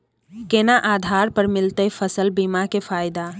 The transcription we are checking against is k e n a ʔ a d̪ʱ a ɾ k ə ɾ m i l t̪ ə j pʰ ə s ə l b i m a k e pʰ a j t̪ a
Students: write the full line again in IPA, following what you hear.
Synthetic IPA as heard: k e n a ʔ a d̪ʱ a ɾ p ə ɾ m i l t̪ ə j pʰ ə s ə l b i m a k e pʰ a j d̪ a